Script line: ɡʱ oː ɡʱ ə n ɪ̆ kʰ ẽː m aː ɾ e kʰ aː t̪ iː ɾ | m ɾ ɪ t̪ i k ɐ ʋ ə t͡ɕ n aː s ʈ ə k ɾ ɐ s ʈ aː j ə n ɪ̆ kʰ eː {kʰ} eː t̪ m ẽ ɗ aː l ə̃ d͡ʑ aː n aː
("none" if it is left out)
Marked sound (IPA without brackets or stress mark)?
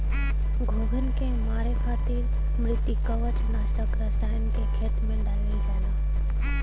kʰ